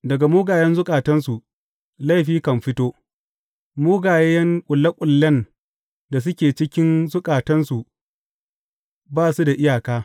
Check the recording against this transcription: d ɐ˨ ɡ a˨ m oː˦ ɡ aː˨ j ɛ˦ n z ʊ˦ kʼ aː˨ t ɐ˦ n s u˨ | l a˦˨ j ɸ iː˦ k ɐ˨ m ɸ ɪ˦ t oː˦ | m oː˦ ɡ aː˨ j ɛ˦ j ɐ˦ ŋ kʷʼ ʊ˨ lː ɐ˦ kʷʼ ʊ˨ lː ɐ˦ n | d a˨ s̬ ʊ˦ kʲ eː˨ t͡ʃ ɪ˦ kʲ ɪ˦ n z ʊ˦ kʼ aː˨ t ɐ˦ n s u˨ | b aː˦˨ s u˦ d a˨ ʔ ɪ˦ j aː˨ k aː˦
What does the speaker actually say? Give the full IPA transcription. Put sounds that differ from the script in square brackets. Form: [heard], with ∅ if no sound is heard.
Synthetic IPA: d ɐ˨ ɡ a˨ m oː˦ ɡ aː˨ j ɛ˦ n z ʊ˦ kʼ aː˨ t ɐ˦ n s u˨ | l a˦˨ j ɸ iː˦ k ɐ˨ m ɸ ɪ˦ t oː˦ | m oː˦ ɡ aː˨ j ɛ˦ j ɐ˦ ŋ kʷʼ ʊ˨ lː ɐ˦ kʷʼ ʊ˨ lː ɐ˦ n | d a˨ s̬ ʊ˦ kʲ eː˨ t͡ʃ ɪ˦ kʲ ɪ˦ n z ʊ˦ kʼ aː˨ t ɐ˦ n s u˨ | b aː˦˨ s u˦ d a˨ ʔ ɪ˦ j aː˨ k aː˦